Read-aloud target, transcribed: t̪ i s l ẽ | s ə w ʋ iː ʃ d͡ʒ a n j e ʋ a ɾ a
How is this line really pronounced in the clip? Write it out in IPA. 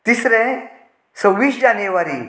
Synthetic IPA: t̪ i s ɾ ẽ | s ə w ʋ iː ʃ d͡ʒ a n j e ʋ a ɾ i